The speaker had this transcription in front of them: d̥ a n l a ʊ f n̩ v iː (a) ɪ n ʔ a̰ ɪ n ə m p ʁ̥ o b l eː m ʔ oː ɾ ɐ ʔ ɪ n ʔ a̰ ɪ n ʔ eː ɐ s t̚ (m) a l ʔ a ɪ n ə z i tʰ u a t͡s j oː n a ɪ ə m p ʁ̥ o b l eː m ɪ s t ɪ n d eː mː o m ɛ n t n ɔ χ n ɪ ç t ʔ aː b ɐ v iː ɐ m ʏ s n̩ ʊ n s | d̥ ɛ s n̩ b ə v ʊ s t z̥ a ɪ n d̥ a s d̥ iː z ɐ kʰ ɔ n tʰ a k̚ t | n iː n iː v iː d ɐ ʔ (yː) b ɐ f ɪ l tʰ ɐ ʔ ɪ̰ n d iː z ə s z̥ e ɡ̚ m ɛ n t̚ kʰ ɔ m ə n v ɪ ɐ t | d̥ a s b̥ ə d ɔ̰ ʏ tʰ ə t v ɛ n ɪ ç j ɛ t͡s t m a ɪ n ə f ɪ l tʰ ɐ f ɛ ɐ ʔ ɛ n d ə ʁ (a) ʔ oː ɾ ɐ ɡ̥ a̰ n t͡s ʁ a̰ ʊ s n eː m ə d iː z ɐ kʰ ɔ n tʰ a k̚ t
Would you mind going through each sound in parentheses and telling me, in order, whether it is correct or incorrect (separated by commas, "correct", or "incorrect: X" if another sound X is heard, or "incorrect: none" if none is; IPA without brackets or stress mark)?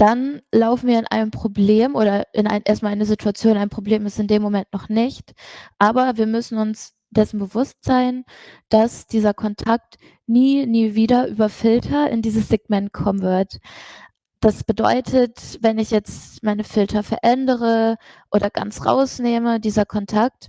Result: incorrect: ɐ, correct, correct, incorrect: ə